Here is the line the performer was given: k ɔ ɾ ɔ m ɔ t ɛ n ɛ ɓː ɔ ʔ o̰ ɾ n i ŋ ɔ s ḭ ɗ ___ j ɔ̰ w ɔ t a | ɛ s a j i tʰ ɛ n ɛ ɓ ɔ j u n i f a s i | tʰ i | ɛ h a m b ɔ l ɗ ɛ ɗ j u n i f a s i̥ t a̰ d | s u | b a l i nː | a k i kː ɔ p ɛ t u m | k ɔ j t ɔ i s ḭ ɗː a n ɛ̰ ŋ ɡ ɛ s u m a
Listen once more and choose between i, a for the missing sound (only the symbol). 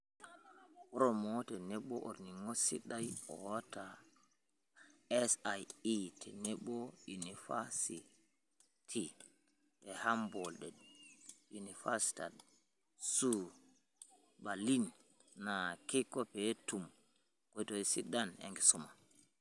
a